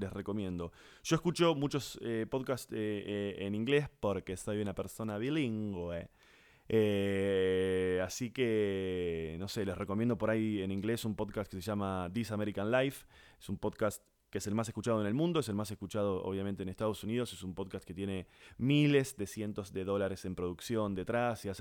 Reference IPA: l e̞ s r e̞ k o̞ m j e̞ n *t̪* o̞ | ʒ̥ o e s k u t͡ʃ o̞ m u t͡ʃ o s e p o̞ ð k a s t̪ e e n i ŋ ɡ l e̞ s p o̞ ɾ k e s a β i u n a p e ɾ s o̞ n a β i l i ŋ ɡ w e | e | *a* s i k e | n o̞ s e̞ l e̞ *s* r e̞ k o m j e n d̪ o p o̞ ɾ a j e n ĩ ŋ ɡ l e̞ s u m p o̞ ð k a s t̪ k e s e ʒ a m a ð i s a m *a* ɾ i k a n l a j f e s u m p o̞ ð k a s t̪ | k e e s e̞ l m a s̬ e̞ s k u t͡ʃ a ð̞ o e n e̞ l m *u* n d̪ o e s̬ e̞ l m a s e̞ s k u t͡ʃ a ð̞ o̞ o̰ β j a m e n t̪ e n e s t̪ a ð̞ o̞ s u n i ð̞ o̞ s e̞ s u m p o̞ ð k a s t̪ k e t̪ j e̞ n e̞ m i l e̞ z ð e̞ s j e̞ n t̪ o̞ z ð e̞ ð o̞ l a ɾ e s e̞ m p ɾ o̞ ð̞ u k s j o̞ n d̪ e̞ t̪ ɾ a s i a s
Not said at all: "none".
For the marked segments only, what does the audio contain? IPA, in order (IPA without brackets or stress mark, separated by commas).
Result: d̪, a, s, e, ũ